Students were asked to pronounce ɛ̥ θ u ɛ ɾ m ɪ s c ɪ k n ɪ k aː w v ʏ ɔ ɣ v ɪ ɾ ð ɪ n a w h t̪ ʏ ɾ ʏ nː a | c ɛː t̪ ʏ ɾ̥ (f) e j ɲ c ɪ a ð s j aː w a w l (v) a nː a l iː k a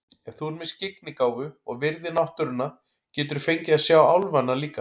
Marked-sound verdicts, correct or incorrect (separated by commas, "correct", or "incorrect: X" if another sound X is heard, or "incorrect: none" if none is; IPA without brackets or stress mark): correct, correct